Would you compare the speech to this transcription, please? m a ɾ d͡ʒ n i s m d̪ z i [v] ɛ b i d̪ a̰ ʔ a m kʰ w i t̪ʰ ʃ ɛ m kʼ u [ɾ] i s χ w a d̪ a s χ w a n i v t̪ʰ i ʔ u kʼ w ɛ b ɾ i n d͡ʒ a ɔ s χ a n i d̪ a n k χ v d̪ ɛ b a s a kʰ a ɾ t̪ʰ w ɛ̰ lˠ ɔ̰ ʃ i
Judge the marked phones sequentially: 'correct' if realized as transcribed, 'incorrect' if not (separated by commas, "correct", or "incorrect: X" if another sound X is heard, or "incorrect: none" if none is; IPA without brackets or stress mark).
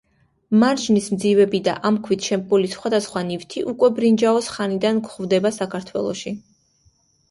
correct, incorrect: l